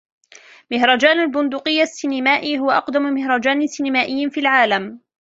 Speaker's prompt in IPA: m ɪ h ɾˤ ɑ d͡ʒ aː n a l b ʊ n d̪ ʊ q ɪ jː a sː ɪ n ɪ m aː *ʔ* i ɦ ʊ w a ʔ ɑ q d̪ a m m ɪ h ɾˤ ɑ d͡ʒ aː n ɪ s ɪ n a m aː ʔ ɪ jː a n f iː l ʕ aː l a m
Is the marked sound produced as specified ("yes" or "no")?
yes